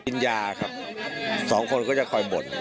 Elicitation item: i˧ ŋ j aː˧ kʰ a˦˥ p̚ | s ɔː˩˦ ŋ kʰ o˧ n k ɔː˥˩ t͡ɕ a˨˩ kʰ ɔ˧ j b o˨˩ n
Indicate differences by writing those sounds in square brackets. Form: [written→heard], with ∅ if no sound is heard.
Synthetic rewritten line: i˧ [ŋ→n] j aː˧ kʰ a˦˥ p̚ | s ɔː˩˦ ŋ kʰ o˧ n k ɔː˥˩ t͡ɕ a˨˩ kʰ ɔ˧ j b o˨˩ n